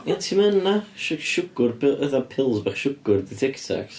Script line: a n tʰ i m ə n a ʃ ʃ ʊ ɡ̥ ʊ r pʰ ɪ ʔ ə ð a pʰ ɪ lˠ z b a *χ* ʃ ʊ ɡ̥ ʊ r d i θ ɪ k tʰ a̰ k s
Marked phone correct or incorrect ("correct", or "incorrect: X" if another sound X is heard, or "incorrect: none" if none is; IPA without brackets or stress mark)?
correct